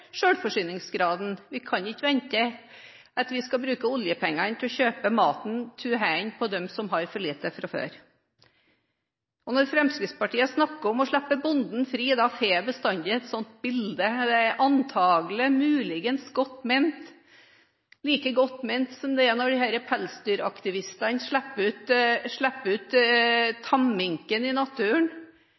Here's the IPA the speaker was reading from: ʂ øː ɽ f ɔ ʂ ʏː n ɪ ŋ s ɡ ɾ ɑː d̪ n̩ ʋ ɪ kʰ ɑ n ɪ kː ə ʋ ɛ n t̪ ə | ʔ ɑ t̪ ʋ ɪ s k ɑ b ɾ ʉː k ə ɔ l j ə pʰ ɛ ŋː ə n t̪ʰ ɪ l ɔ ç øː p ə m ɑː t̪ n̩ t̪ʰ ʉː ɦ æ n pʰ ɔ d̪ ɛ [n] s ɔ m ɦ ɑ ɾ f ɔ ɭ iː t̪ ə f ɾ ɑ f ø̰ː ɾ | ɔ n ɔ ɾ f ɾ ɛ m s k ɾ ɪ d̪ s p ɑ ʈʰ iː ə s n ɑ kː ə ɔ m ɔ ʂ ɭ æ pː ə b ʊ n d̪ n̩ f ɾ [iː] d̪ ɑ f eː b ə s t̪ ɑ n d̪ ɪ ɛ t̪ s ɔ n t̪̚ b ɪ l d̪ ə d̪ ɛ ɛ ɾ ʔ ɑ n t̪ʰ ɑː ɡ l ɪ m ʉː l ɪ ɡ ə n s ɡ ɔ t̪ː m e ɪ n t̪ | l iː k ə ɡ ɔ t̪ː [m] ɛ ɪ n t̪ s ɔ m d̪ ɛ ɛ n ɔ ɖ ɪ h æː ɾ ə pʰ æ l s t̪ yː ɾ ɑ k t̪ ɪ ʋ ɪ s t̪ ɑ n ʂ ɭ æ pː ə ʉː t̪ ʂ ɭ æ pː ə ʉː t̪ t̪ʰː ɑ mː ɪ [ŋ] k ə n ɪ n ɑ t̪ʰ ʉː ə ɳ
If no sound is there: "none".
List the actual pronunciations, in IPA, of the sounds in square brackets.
m, iː, m, ŋ

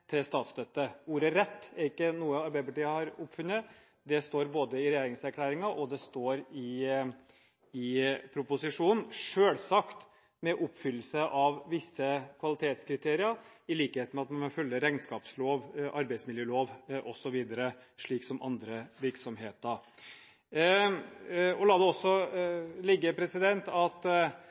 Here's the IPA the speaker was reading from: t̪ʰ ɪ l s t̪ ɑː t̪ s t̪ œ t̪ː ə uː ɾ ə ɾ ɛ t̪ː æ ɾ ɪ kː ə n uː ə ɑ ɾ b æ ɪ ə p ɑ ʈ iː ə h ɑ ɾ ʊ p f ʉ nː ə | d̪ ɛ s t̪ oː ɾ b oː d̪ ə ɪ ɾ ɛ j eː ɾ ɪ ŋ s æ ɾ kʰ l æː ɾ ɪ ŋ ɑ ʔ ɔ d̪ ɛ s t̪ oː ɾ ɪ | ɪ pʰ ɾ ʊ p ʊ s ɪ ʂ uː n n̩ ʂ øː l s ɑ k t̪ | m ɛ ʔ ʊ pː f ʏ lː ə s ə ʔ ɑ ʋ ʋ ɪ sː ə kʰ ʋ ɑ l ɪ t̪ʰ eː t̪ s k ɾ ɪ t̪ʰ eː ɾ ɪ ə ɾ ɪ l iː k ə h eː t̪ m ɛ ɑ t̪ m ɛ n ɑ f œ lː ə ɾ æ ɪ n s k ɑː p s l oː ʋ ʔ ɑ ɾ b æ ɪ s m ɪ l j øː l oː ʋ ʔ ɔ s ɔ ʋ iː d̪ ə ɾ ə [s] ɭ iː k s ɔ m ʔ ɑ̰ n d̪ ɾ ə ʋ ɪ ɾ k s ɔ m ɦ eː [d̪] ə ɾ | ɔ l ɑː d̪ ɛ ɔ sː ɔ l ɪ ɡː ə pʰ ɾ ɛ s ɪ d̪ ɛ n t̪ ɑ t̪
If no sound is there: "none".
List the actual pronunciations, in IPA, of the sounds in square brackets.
ʂ, t̪

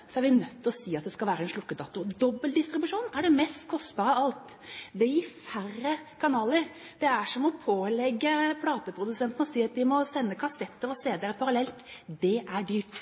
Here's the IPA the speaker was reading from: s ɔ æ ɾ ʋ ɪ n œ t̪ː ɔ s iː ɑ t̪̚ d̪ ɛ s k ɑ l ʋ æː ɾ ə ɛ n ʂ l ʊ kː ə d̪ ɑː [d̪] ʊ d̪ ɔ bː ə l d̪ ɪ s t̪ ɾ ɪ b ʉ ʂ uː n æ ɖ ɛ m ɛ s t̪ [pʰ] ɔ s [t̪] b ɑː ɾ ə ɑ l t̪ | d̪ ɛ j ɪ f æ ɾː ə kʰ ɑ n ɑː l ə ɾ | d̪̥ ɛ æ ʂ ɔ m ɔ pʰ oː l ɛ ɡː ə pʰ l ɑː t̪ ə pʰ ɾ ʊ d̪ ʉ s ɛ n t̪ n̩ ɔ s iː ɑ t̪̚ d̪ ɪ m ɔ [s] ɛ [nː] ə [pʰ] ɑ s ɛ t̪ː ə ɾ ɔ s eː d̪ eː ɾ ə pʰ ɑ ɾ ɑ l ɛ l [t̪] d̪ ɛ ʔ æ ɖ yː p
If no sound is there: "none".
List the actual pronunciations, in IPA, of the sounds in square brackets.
t̪, kʰ, t̪, s, nː, kʰ, t̪

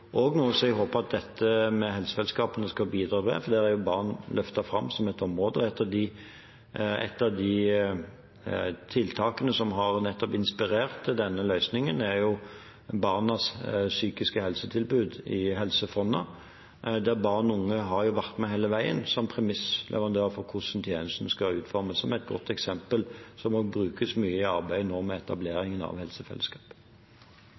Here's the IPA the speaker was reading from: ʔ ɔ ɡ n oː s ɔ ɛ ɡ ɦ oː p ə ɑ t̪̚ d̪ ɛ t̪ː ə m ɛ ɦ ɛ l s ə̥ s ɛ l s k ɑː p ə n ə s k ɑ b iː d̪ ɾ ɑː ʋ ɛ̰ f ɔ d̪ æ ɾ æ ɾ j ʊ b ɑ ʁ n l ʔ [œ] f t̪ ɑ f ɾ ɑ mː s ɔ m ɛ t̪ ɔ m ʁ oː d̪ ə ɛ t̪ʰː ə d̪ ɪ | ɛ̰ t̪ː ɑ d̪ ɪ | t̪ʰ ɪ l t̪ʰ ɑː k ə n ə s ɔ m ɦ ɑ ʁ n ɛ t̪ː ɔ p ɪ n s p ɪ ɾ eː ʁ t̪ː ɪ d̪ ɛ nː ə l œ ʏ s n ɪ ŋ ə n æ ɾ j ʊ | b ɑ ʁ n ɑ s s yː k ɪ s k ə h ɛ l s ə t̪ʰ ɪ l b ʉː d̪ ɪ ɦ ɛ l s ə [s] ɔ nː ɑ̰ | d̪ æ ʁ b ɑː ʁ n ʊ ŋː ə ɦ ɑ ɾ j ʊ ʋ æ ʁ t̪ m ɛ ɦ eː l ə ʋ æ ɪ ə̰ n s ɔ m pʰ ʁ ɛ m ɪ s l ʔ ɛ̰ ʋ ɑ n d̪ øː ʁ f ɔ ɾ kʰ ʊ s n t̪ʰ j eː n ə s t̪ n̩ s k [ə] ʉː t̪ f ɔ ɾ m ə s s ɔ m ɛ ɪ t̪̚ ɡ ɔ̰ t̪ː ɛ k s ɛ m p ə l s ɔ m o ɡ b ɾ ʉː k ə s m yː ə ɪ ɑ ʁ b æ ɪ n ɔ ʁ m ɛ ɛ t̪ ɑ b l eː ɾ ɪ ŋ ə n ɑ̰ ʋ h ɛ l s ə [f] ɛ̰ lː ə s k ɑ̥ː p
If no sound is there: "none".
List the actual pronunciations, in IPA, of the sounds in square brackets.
œ, f, ɑ, f

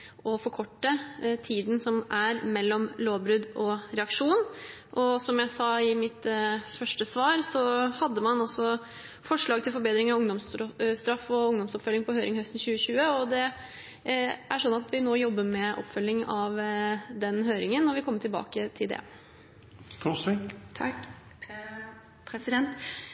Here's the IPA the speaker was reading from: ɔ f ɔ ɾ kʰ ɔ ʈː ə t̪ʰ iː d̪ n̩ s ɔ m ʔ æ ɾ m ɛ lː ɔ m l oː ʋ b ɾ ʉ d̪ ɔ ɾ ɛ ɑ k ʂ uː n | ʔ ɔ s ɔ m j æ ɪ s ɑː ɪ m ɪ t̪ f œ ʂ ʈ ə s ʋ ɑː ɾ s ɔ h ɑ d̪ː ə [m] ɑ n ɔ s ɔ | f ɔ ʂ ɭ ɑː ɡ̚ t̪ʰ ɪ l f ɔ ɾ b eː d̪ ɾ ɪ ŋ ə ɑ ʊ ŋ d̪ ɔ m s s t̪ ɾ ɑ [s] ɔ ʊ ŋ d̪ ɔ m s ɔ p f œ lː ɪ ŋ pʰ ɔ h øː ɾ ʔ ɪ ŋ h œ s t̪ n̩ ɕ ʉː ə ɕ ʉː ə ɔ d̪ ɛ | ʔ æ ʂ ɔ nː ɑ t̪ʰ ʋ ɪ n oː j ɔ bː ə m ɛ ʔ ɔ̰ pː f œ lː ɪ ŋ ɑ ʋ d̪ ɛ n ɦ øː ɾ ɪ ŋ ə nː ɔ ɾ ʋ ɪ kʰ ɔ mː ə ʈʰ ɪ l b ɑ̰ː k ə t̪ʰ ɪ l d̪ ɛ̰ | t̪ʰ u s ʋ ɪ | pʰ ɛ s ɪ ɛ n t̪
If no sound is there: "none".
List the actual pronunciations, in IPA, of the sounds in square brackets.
m, f

